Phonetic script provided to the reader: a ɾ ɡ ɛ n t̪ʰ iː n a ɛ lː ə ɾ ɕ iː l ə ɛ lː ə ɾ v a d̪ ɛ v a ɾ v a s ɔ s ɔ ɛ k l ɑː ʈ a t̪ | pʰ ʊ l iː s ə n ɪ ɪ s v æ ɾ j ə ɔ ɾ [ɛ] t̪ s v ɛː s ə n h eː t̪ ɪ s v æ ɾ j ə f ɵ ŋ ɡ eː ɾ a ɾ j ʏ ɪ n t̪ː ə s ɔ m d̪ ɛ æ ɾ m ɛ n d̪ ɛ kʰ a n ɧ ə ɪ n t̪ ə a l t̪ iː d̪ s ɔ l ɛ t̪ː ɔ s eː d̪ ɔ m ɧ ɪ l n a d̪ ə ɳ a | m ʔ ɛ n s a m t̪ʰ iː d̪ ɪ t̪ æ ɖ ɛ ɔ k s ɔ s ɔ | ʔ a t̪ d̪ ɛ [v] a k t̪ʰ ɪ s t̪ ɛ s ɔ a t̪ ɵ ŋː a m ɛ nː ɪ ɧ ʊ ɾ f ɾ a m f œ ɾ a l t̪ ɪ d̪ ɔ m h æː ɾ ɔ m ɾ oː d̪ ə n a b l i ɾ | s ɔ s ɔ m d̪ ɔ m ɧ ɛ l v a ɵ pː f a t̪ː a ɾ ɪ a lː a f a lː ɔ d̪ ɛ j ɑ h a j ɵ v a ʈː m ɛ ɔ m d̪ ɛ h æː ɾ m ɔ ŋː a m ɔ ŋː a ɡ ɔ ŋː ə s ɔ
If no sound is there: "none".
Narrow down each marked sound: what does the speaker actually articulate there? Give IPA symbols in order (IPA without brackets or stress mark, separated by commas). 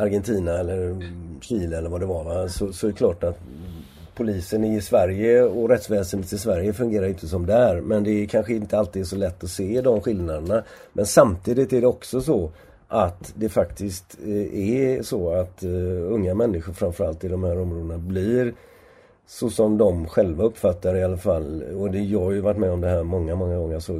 ɛ, f